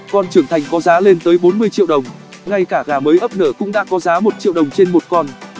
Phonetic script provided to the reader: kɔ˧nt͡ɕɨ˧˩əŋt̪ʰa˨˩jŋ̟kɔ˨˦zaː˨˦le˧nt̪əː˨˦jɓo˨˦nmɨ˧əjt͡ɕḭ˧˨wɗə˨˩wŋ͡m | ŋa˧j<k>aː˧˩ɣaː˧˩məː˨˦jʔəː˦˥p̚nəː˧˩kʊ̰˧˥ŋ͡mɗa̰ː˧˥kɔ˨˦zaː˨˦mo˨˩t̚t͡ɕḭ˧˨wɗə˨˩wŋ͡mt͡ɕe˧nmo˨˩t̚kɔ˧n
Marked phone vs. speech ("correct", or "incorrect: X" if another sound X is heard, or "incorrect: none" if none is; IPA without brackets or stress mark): correct